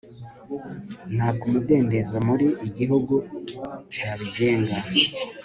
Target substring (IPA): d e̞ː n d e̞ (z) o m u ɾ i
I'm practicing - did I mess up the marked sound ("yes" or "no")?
no